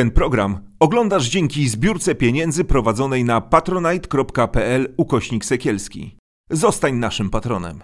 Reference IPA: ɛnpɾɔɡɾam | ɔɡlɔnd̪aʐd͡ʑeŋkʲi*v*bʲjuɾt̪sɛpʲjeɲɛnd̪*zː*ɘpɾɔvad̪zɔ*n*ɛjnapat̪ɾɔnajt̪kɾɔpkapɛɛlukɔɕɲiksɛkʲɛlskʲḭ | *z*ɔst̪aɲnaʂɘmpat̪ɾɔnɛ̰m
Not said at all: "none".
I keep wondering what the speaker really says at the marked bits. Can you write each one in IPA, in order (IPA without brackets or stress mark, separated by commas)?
z, z, n, z